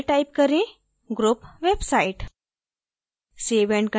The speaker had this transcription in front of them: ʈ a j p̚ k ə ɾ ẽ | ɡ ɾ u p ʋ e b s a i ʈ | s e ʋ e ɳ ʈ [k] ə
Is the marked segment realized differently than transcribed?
no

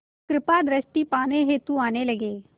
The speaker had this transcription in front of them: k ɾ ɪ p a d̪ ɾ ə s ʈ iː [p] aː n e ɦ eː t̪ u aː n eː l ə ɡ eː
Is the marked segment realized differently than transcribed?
no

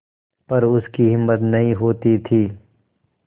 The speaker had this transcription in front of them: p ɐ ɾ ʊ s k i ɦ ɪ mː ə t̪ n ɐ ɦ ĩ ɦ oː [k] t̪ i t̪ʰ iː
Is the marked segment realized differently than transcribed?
yes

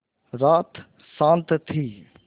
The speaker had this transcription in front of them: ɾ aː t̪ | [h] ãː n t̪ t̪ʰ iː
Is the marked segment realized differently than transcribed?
yes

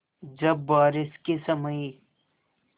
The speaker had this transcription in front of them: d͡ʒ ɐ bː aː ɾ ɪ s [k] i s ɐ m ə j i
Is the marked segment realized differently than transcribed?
no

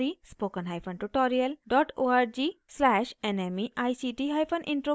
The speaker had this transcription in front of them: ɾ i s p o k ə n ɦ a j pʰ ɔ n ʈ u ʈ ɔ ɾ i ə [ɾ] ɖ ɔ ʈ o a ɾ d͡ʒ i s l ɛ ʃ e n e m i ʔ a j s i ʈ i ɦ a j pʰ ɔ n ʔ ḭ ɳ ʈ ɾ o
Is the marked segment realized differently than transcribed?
yes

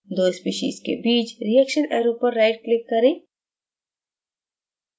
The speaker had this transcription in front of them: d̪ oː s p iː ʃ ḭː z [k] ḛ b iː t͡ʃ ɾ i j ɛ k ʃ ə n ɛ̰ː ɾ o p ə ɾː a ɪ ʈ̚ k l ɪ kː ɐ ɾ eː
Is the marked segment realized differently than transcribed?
no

